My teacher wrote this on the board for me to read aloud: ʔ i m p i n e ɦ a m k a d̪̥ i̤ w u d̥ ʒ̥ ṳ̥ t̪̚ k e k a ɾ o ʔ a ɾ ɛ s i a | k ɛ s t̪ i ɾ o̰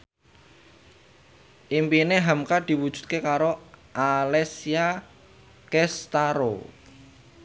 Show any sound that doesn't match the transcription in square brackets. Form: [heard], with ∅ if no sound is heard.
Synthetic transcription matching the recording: ʔ i m p i n e ɦ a m k a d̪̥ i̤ w u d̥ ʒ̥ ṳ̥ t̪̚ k e k a ɾ o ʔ a [l] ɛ s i a | k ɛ s t̪ [a] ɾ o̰